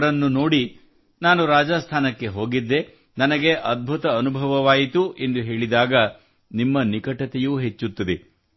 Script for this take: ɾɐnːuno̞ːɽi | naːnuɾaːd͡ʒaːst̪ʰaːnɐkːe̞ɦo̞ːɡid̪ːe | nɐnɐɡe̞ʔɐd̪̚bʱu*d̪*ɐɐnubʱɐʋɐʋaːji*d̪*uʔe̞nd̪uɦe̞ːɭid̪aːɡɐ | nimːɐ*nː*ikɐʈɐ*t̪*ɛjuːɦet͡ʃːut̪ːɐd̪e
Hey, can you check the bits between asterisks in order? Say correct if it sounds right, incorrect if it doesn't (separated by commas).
incorrect, incorrect, incorrect, correct